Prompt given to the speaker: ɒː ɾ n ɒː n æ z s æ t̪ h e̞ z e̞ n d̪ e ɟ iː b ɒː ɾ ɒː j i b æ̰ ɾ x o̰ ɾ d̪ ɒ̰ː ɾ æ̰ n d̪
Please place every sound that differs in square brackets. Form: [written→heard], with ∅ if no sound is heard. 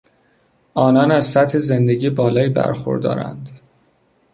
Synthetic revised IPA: ɒː [ɾ→∅] n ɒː n æ z s æ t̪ h e̞ z e̞ n d̪ e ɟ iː b ɒː [ɾ→l] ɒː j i b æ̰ ɾ x o̰ ɾ d̪ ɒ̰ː ɾ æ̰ n d̪